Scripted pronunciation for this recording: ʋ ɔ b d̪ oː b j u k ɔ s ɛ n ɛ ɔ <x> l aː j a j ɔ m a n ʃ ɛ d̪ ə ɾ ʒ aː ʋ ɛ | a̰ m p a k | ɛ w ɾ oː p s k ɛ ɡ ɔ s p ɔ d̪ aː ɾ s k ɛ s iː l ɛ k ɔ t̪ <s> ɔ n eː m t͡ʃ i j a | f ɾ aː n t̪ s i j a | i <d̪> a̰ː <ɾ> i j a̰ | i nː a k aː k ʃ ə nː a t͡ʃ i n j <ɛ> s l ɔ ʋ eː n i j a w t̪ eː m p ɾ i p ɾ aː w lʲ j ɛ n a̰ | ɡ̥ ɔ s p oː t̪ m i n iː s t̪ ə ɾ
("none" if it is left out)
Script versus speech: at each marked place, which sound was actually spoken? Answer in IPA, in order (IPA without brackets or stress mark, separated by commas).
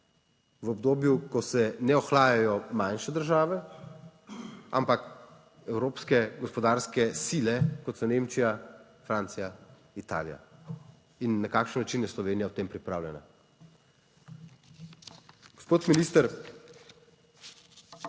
x, s, t̪, l, ɛ